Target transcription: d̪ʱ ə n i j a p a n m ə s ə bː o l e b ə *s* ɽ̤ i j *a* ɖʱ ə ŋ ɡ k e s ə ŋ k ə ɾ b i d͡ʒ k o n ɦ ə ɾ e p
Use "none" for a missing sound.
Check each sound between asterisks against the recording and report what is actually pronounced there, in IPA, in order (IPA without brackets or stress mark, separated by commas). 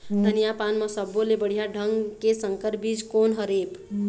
none, a